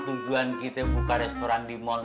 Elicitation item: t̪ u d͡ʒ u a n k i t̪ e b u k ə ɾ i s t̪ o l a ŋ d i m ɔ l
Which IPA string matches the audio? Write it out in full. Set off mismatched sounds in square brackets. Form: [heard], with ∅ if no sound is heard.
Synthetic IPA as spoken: t̪ u d͡ʒ u a n k i t̪ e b u k [a] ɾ [ɛ] s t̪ o [ɾ] a [n] d i m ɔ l